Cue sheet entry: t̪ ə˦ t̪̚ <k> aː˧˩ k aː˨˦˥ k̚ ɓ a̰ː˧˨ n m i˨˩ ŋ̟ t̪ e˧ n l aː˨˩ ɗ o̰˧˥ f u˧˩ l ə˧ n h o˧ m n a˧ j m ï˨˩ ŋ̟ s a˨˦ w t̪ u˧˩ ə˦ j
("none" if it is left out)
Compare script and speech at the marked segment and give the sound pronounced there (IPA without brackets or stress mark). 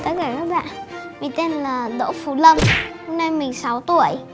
k